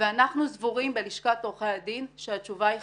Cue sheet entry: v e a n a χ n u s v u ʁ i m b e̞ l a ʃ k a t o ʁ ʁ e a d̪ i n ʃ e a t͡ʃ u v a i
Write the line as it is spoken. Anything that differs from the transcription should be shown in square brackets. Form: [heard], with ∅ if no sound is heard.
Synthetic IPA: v e a n a χ n u [z] v u ʁ i m b e̞ l [i] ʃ k a t o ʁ [χ] e a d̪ i n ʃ e a t͡ʃ u v a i